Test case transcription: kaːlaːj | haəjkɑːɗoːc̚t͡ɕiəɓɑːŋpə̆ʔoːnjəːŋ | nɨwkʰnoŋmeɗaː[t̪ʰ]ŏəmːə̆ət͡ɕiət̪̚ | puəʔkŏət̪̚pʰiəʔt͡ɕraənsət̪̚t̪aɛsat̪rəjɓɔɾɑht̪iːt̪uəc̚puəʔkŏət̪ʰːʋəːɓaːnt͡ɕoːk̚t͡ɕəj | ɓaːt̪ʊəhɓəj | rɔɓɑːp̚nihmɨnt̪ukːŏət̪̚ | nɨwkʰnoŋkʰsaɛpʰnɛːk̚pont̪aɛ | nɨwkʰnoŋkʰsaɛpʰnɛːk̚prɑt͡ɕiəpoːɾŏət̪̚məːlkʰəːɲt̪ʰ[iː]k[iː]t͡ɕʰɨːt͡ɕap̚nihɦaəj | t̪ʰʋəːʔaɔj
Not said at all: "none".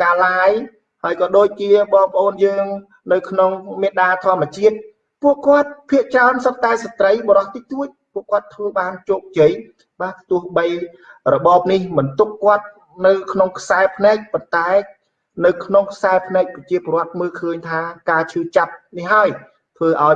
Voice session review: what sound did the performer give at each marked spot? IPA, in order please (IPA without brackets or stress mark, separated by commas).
t̪ʰ, aː, aː